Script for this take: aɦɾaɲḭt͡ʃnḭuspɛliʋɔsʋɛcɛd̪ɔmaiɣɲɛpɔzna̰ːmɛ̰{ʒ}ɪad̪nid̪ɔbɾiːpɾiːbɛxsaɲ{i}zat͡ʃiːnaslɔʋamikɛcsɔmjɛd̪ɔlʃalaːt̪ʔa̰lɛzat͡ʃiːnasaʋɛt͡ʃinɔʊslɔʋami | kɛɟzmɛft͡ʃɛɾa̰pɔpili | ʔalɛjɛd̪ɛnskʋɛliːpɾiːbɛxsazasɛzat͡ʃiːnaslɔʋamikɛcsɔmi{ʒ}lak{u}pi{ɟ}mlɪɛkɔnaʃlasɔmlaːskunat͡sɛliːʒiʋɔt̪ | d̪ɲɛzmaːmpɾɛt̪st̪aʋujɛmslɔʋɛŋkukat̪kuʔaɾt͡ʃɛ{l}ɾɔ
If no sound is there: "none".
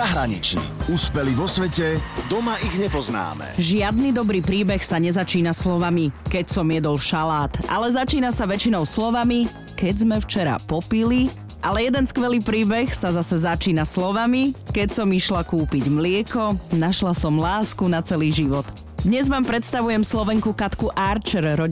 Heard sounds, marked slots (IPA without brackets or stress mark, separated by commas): ʒ, ɛ, ʃ, uː, ɟ, ɾ